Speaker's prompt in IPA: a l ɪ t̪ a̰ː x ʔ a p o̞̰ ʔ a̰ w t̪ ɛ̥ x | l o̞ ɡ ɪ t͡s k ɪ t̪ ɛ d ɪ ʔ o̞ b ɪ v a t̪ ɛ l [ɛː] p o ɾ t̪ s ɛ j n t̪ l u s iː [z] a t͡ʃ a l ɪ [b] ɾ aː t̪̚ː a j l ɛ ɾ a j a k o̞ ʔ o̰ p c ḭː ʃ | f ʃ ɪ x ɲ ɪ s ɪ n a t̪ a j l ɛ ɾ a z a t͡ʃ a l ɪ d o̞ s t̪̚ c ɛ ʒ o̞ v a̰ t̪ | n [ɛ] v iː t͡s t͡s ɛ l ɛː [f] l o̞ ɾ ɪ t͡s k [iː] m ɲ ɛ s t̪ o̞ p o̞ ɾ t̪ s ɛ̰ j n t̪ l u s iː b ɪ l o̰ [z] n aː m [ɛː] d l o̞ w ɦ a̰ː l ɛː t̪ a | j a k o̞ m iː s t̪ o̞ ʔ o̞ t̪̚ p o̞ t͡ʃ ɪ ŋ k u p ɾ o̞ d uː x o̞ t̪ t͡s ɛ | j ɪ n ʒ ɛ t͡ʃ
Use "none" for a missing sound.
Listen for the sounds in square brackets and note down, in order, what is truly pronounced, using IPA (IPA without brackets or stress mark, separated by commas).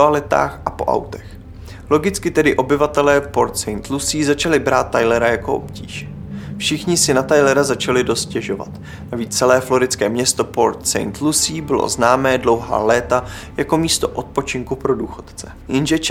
ɛː, z, b, a, f, ɛː, z, ɛː